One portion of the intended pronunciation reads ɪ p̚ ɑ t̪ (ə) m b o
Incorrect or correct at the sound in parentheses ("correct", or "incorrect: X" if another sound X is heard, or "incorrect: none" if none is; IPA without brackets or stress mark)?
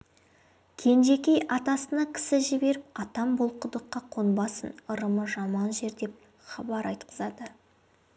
incorrect: ɑ